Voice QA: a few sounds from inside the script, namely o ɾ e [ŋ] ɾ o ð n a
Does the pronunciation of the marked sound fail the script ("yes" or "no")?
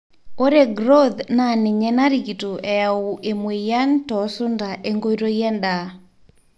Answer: yes